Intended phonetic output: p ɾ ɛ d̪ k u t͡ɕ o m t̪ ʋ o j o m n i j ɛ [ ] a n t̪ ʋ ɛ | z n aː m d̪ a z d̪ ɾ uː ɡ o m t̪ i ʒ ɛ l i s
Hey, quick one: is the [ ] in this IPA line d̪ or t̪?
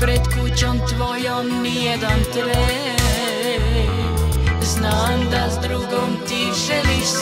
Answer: d̪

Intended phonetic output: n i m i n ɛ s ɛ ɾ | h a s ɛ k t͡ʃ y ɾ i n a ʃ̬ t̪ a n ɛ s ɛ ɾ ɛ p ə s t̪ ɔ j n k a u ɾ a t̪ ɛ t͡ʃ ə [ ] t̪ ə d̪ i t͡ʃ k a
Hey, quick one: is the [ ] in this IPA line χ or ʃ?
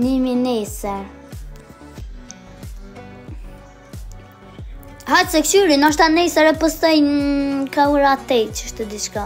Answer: ʃ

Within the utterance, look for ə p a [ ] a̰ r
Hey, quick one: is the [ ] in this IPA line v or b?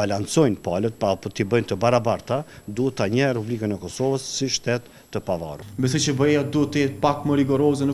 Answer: v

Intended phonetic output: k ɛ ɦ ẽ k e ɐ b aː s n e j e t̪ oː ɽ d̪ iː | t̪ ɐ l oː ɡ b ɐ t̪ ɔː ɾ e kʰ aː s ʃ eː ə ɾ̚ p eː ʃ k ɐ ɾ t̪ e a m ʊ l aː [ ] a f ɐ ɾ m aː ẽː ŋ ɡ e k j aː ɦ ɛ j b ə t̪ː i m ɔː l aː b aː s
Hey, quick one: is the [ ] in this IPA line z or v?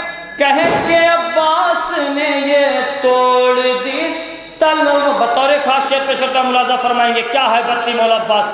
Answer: z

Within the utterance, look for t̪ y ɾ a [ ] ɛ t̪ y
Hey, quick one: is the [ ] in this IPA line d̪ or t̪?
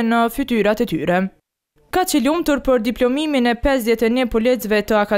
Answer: t̪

